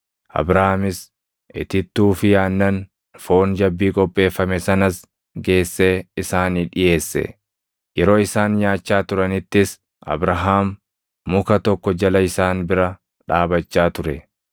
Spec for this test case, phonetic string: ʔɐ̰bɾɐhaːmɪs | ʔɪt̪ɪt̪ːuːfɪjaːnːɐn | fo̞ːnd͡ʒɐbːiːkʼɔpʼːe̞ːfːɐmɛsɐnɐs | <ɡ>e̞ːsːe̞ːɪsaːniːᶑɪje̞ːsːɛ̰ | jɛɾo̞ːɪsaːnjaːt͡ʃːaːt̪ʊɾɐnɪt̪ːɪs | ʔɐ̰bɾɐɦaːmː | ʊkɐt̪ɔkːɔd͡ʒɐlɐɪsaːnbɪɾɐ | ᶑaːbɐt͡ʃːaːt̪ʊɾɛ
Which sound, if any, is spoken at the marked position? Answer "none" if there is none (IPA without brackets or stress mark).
ɡ